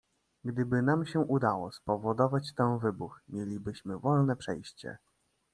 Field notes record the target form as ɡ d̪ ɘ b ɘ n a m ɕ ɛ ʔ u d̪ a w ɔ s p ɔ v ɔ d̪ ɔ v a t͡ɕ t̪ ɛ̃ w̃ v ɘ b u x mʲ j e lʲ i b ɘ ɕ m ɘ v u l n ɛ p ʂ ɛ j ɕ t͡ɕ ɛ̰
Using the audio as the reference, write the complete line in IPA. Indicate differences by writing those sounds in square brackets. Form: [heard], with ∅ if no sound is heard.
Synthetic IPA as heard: ɡ d̪ ɘ b ɘ n a m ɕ ɛ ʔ u d̪ a w ɔ s p ɔ v ɔ d̪ ɔ v a t͡ɕ t̪ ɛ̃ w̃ v ɘ b u x mʲ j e lʲ i b ɘ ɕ m ɘ v [ɔ] l n ɛ p ʂ ɛ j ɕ t͡ɕ ɛ̰